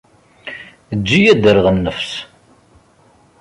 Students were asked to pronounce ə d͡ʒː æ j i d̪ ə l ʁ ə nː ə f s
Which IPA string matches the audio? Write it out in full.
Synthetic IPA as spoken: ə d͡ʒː i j æ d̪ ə ɾ ʁ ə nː ə f s